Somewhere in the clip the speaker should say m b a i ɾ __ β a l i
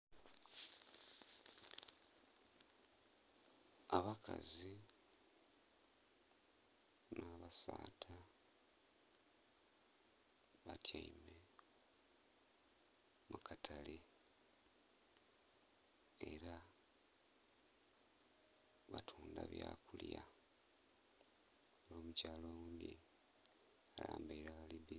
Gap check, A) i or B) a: B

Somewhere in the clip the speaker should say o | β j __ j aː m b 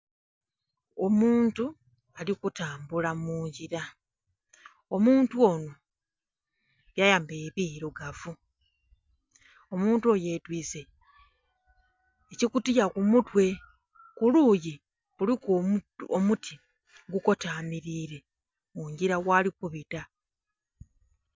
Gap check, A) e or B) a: B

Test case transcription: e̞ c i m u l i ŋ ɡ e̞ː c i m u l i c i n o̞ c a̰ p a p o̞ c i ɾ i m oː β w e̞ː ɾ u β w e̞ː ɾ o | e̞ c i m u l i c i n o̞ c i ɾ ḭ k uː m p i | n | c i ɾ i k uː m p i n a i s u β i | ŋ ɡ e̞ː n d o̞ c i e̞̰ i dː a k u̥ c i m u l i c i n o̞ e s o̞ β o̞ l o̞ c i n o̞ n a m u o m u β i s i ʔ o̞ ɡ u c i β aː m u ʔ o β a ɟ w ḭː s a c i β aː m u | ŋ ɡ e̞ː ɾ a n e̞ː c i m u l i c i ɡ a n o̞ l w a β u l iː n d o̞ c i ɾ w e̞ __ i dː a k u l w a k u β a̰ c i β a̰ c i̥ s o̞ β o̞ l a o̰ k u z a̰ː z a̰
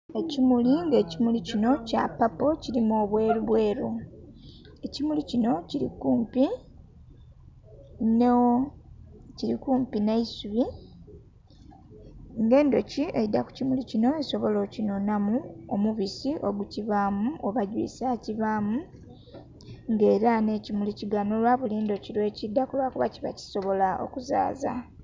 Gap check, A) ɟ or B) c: B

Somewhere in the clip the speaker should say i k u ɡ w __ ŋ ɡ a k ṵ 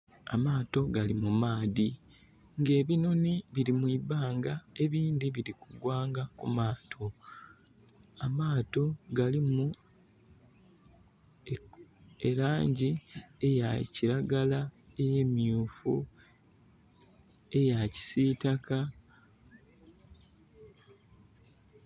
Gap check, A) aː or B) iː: A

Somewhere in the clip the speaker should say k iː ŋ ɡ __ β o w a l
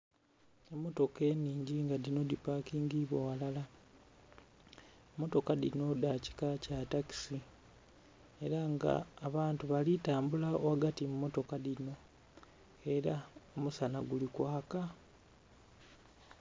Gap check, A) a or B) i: B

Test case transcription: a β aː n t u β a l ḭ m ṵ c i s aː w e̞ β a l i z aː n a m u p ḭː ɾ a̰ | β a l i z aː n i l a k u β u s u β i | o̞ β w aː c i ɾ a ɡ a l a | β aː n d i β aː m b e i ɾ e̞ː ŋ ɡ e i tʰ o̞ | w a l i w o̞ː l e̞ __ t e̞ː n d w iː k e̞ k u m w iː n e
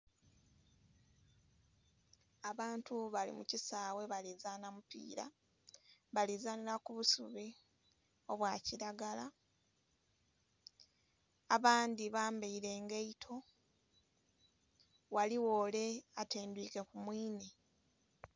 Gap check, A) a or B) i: A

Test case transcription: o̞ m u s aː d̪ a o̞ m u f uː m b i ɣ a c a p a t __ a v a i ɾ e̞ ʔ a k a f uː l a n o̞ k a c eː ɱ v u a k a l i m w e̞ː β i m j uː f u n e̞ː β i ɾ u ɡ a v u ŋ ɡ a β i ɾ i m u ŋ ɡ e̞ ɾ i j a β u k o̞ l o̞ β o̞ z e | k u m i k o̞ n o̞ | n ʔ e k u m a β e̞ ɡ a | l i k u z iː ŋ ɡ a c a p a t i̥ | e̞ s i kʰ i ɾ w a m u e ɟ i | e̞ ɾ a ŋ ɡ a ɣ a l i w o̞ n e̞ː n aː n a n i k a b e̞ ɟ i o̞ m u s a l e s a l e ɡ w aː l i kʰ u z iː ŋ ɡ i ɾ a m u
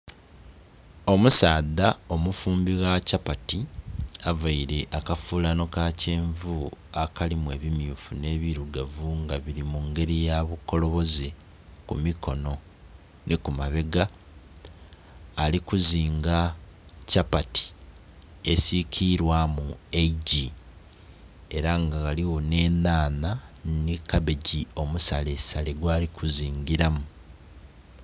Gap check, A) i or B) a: A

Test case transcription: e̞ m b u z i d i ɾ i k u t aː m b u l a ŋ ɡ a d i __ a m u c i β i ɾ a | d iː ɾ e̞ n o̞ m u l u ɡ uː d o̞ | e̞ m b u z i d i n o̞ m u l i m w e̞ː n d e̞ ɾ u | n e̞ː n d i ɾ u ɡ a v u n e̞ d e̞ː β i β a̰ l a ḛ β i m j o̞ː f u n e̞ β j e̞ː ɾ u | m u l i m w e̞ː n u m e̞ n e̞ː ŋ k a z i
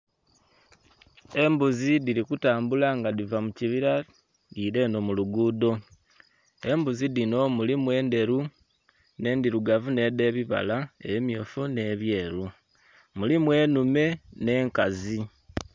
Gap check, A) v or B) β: A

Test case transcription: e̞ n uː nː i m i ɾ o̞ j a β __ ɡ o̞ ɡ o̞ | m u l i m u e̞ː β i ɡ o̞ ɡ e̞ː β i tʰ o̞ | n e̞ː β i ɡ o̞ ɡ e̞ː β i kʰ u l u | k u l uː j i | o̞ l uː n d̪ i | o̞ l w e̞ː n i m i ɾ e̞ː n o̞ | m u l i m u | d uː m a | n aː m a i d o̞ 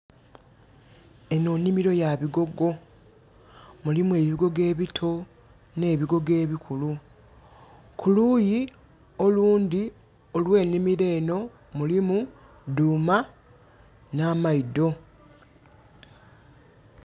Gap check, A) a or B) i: B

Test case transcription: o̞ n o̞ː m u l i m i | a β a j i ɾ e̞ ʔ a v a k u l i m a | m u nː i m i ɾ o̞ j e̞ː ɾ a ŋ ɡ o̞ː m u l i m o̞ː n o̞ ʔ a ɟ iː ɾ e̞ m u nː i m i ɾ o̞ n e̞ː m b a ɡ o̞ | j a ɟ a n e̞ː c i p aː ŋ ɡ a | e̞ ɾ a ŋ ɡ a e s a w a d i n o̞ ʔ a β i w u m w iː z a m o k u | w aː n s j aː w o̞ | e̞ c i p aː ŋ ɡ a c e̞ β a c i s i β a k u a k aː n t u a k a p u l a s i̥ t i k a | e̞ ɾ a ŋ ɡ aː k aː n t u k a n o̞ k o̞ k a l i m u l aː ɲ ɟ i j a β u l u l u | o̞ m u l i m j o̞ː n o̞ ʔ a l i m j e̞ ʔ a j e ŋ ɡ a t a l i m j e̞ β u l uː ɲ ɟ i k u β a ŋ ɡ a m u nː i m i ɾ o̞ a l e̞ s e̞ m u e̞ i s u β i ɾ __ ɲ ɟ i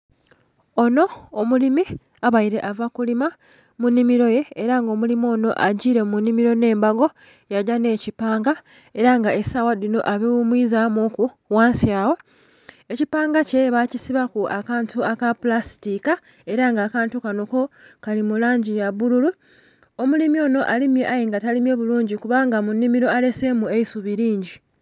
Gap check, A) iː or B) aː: A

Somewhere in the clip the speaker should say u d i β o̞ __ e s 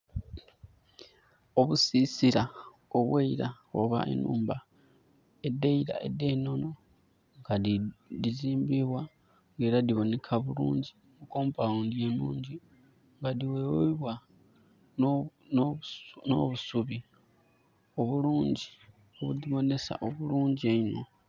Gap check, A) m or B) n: B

